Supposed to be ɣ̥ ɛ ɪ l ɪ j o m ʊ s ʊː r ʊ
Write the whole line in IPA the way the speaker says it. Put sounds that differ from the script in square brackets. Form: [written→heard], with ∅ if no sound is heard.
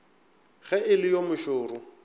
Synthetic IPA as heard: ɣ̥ ɛ ɪ l ɪ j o m ʊ [s→ʃ] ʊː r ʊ